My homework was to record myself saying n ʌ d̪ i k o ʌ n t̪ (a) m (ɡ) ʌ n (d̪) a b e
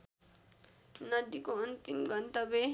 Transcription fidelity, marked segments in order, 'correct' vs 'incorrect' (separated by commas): incorrect, correct, incorrect